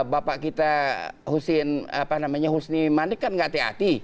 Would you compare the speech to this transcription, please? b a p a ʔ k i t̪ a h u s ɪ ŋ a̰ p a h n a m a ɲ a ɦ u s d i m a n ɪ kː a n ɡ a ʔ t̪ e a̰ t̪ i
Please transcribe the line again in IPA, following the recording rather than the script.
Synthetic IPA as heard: b a p a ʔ k i t̪ a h u s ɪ n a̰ p a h n a m a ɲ a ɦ u s n i m a n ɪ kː a n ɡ a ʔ t̪ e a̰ t̪ i